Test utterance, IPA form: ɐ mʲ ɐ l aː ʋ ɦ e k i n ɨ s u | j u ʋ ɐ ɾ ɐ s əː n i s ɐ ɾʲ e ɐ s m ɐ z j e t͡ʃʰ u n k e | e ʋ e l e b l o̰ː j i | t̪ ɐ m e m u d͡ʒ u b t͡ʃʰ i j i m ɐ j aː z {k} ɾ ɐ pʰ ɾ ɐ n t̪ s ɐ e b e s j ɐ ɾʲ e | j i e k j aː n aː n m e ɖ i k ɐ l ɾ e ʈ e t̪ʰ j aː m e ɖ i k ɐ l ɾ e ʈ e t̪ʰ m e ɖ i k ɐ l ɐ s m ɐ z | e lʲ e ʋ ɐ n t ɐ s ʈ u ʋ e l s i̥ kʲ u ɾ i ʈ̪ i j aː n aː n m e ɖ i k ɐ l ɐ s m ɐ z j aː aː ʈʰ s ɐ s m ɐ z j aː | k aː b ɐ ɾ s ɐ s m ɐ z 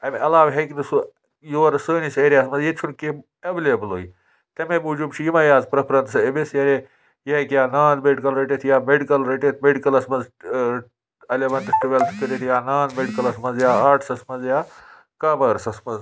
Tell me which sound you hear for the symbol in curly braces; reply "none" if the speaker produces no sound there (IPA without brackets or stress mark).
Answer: p